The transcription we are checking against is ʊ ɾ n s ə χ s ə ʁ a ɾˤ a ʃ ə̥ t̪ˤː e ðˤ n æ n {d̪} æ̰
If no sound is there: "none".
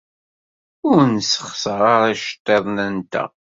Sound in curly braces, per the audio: t̪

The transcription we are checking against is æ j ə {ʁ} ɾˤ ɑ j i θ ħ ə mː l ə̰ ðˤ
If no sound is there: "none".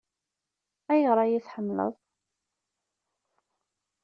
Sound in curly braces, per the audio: ʁ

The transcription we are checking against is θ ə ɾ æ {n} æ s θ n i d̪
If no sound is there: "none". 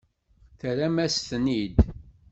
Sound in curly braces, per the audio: m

